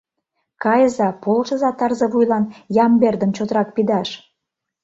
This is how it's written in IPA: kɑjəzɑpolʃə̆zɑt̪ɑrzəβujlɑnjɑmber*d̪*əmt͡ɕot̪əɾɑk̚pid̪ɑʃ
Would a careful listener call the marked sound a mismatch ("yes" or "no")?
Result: no